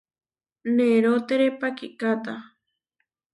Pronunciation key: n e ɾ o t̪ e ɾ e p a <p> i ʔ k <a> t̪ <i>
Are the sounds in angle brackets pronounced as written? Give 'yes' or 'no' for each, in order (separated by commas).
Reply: no, yes, no